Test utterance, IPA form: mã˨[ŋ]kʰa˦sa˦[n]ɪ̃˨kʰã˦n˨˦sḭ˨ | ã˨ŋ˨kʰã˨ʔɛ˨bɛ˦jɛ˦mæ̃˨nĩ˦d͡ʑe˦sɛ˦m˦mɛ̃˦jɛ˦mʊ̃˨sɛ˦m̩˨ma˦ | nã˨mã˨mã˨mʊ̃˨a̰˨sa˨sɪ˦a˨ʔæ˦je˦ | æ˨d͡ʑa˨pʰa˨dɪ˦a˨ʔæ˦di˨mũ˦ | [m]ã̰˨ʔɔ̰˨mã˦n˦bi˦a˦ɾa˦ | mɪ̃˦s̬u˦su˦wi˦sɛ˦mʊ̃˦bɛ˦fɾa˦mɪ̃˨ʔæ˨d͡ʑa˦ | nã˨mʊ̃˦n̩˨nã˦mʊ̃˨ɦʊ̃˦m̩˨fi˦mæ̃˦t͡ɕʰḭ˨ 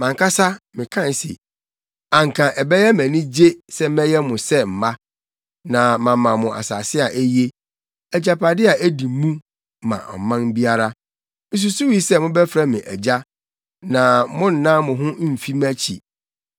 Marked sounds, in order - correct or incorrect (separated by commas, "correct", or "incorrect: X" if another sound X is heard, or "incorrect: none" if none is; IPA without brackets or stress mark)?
correct, incorrect: m, correct